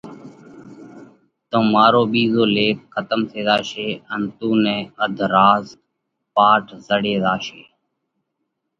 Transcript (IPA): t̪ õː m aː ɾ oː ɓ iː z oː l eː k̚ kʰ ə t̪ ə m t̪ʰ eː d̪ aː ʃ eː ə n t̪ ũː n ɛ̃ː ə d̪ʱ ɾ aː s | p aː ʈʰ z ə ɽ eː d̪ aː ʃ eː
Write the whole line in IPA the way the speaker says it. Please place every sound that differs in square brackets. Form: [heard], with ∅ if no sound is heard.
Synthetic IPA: t̪ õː m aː ɾ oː ɓ iː z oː l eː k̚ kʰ ə t̪ ə m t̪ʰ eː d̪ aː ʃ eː ə n t̪ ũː n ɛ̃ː ə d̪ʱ ɾ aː [z] | p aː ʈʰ z ə ɽ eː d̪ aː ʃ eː

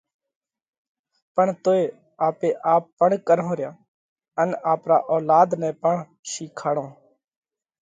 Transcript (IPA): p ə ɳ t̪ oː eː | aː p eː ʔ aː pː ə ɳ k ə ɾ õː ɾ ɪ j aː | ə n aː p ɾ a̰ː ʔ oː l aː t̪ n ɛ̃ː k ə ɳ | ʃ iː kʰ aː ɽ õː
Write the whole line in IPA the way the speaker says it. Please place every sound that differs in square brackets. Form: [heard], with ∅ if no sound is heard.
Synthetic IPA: p ə ɳ t̪ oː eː | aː p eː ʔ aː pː ə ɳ k ə ɾ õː ɾ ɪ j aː | ə n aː p ɾ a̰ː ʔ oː l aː [d̪] n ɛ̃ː [p] ə ɳ | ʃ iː kʰ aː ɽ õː

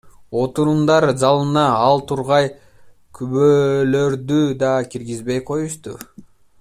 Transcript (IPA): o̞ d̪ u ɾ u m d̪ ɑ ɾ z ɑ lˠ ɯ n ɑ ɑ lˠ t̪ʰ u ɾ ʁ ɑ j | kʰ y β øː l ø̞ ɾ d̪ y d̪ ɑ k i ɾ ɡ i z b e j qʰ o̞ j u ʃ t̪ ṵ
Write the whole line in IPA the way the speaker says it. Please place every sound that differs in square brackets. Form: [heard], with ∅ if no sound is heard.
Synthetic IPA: o̞ [t̪] u ɾ u m d̪ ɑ ɾ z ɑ lˠ ɯ n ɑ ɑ lˠ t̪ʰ u ɾ ʁ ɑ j | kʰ y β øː l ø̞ ɾ d̪ y d̪ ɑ k i ɾ ɡ i z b e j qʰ o̞ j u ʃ t̪ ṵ

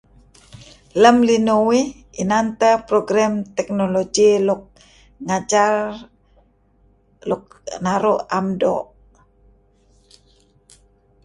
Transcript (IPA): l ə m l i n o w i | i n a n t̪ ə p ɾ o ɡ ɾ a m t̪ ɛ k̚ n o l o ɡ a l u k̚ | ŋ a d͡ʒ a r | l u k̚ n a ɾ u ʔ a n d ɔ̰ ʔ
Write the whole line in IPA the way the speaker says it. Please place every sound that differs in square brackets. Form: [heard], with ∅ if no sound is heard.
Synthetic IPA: l ə m l i n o w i | i n a n t̪ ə p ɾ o ɡ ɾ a m t̪ ɛ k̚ n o l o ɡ [i] l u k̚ | ŋ a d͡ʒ a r | l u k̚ n a ɾ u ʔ a [m] d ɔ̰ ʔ

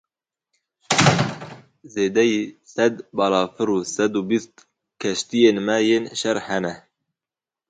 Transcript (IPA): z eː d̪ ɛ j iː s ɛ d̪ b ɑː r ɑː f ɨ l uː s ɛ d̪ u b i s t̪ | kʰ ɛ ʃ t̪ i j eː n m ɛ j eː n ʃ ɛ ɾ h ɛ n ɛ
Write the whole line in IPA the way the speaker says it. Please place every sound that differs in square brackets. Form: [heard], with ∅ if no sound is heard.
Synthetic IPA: z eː d̪ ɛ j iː s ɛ d̪ b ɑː [l] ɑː f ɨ [ɾ] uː s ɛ d̪ u b i s t̪ | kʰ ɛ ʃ t̪ i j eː n m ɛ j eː n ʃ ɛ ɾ h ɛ n ɛ

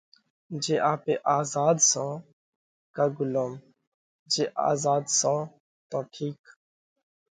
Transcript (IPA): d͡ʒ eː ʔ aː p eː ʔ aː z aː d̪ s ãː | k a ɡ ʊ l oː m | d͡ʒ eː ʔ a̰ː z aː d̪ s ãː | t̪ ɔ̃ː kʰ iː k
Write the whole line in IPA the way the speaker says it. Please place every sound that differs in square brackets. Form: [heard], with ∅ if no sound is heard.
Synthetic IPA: d͡ʒ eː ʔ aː p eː ʔ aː z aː d̪ s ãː | k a ɡ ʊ l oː m | d͡ʒ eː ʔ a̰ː z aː d̪ s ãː | t̪ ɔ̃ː [ʈʰ] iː k

